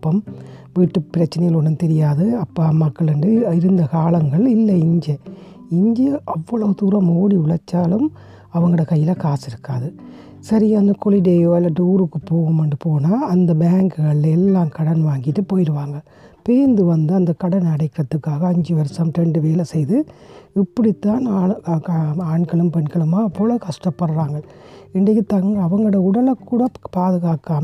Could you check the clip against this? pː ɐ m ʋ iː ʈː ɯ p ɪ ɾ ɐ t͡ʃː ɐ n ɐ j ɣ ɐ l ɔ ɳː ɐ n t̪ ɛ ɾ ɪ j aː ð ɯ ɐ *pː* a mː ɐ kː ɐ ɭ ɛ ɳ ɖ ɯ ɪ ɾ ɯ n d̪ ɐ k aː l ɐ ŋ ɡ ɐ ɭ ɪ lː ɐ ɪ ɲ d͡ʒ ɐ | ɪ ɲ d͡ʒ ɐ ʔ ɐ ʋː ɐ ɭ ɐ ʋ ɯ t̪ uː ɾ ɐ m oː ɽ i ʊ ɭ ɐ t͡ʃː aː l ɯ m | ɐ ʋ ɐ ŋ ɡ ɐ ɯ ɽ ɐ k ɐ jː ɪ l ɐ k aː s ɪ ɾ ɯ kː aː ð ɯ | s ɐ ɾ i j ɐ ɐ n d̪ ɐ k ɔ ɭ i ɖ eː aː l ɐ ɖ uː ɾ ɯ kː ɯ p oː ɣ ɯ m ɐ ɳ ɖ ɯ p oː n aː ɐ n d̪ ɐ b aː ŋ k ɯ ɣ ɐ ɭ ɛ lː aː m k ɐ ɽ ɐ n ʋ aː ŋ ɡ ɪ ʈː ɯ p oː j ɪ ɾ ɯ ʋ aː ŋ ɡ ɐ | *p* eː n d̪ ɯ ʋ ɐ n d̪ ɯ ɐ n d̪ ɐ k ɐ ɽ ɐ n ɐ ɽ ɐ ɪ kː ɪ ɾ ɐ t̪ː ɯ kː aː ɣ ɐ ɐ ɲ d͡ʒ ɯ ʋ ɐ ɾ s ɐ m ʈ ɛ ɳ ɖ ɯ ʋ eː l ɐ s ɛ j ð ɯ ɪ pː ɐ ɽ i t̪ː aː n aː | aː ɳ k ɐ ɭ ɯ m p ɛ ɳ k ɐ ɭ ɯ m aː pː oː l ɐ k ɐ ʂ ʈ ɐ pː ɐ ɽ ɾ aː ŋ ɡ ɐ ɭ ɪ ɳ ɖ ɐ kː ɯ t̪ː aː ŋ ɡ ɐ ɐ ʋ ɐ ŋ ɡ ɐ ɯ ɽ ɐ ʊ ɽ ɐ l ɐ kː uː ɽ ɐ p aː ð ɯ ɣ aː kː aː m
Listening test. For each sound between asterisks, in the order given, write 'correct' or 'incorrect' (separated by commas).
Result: correct, correct